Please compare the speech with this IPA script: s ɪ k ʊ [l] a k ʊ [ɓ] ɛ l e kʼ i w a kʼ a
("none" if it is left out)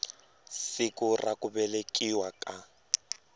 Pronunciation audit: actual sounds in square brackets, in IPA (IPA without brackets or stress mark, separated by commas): r, b